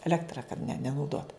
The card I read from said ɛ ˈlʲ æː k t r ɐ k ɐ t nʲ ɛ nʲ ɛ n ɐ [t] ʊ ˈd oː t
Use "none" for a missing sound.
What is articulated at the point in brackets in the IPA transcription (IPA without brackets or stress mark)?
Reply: none